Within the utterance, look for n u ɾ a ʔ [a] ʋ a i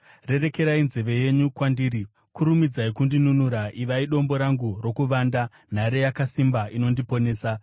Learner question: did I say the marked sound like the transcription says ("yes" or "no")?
no